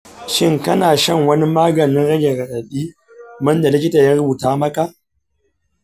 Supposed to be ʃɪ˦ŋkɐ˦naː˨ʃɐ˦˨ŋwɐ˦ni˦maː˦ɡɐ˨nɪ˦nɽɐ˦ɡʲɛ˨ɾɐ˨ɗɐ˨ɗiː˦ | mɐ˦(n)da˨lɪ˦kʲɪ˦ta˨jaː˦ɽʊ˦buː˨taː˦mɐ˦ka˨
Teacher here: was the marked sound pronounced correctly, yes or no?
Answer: yes